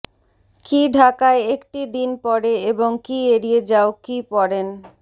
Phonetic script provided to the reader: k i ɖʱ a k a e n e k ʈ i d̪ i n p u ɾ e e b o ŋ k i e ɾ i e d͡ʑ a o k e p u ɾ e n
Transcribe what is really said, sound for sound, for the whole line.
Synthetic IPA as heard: k i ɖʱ a k a e e k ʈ i d̪ i n p ɔ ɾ e e b o ŋ k i e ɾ i e d͡ʑ a o k i p ɔ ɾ e n